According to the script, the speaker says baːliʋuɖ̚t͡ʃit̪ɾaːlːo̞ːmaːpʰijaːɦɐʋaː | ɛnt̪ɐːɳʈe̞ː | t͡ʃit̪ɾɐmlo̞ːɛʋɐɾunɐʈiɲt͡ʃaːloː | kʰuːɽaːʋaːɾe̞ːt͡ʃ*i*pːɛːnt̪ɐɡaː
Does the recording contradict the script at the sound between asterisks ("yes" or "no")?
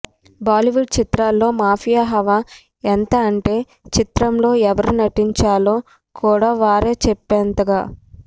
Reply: yes